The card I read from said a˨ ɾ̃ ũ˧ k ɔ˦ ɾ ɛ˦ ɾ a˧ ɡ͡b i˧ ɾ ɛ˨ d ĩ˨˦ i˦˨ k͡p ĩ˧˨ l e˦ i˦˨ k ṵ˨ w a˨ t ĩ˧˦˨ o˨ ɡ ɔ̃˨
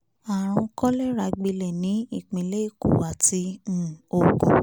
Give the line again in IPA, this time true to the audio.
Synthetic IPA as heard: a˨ ɾ̃ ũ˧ k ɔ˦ l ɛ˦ ɾ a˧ ɡ͡b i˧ l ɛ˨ n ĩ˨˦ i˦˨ k͡p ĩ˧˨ l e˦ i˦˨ k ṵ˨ w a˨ t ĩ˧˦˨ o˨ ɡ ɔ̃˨

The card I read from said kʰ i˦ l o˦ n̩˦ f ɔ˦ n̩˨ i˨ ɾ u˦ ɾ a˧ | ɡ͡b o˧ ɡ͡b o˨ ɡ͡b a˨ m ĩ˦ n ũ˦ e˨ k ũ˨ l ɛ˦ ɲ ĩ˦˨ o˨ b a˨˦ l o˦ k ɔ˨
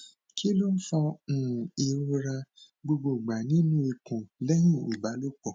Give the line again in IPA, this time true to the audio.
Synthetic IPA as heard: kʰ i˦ l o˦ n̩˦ f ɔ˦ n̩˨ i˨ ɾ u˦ ɾ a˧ | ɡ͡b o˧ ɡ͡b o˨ ɡ͡b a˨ n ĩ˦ n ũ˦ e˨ k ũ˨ l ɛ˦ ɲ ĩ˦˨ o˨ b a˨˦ l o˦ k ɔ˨

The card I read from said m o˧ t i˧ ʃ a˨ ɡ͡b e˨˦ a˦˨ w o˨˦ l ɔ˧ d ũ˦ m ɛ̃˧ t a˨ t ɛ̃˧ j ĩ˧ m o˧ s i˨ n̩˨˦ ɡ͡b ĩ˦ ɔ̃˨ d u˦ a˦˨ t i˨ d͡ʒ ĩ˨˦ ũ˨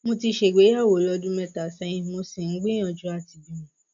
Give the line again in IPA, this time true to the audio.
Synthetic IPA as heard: m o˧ t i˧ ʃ e˨ ɡ͡b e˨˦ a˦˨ w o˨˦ l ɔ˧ d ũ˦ m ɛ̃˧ t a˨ s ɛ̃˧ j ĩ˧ m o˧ s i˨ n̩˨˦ ɡ͡b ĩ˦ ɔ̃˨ d͡ʒ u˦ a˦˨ t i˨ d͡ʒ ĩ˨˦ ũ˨

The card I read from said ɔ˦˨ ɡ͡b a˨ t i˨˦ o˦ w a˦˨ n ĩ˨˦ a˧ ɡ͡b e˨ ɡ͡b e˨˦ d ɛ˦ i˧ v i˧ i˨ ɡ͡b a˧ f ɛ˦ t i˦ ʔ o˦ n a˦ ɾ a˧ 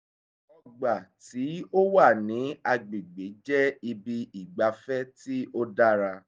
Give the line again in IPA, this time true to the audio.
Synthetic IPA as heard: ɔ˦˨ ɡ͡b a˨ t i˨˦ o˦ w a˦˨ n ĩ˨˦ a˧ ɡ͡b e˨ ɡ͡b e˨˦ d͡ʒ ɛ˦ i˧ b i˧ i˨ ɡ͡b a˧ f ɛ˦ t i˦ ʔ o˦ d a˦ ɾ a˧

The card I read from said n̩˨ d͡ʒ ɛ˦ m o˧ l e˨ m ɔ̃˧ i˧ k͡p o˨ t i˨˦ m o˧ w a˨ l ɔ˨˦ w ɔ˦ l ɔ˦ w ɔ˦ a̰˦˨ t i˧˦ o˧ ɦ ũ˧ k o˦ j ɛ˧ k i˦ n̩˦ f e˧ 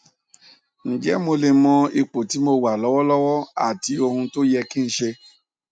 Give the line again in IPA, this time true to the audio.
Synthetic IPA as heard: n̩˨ d͡ʒ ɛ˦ m o˧ l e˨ m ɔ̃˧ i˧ k͡p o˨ t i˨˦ m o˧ w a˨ l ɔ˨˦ w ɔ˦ l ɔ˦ w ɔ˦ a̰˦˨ t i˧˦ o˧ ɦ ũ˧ t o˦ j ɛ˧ k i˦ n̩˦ ʃ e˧

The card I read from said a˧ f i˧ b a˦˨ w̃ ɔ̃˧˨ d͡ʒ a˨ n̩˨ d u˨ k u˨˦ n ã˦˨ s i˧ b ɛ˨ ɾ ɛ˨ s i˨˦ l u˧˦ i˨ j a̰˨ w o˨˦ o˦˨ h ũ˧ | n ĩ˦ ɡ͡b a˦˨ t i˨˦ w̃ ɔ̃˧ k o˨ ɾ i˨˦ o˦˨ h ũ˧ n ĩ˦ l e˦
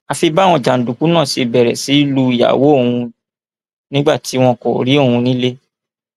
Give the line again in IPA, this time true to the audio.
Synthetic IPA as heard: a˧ f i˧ b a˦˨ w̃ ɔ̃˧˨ d͡ʒ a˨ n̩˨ d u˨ k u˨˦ n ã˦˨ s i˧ b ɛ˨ ɾ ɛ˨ s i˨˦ l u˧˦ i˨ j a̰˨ w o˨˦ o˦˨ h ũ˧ | n ĩ˦ ɡ͡b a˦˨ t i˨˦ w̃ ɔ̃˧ k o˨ ɾ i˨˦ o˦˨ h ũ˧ n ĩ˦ l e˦

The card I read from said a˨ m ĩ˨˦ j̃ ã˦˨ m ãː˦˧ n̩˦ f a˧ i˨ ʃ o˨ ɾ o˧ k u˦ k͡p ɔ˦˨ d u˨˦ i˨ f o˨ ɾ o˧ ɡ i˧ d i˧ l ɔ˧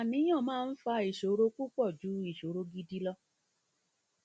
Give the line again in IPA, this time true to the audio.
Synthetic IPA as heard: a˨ n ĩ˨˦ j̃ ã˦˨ m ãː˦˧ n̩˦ f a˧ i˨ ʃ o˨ ɾ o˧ k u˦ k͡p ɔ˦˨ d͡ʒ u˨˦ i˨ ʃ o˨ ɾ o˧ ɡ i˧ d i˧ l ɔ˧

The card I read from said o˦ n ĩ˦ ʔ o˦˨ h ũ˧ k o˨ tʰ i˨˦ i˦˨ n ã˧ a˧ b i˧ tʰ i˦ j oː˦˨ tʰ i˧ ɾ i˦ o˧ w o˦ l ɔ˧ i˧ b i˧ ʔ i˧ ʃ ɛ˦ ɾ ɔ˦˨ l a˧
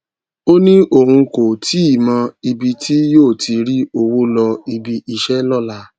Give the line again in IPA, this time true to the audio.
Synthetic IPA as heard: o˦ n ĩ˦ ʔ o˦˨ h ũ˧ k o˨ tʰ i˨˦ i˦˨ m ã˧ i˧ b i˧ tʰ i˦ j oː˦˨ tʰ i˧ ɾ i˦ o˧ w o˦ l ɔ˧ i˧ b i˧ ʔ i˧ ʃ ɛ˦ l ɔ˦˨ l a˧

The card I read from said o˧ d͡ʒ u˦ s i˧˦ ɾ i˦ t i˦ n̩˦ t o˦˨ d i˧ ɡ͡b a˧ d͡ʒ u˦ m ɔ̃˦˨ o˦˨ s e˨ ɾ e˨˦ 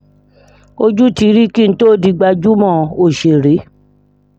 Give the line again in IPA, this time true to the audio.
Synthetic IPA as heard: o˧ d͡ʒ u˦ t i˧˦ ɾ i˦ k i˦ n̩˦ t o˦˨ d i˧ ɡ͡b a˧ d͡ʒ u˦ m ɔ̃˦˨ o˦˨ ʃ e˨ ɾ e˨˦

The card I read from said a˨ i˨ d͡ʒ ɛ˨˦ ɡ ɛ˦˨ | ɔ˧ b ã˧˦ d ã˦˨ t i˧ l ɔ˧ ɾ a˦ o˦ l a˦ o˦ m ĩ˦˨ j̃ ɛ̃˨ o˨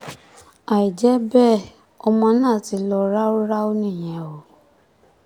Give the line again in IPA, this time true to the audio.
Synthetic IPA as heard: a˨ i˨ d͡ʒ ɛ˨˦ b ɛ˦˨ | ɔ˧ m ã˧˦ n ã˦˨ t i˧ l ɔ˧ ɾ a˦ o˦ ɾ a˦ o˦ n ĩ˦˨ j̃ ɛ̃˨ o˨

